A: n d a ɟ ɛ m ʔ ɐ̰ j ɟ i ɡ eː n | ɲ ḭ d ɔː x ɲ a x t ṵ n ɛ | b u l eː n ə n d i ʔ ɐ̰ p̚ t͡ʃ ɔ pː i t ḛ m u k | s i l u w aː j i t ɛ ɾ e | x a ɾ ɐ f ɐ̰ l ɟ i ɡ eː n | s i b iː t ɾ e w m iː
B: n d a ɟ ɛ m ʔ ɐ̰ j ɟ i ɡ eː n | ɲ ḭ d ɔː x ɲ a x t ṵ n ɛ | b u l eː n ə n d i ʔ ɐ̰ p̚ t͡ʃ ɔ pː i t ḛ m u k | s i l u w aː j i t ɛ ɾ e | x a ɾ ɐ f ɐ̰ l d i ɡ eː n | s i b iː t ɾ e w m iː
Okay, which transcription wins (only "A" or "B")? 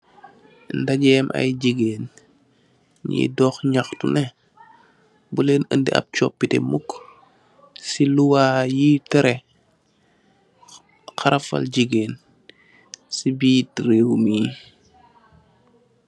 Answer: A